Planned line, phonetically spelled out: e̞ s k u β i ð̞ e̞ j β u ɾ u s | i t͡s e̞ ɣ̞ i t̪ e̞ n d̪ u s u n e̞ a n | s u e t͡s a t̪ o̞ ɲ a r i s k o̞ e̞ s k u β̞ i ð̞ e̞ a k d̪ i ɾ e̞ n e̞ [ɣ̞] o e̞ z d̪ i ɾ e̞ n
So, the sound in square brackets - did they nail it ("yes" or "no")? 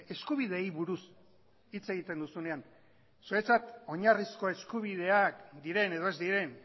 no